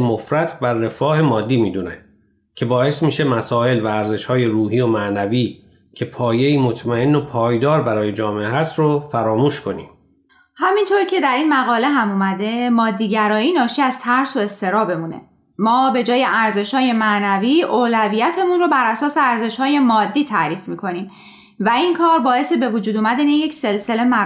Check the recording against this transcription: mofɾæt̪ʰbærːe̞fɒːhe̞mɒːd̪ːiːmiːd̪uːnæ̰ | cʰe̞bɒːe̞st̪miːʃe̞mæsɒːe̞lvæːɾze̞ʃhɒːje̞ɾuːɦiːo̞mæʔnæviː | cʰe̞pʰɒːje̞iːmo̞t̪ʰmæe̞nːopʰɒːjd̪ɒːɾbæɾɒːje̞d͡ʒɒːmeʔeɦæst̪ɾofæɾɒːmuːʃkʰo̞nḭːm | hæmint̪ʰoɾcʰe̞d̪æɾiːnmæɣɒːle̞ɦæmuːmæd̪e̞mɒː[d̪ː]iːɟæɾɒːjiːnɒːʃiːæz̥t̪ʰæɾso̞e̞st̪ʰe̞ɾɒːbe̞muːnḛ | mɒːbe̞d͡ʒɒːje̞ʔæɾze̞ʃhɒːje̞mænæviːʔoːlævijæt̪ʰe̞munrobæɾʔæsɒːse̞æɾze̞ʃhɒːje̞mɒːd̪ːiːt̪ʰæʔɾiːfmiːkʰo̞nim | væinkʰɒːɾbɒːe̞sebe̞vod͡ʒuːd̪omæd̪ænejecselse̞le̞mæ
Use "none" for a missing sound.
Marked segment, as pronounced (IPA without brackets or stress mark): d̪ː